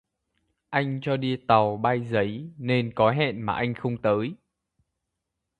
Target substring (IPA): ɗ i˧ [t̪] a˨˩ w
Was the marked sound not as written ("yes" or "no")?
no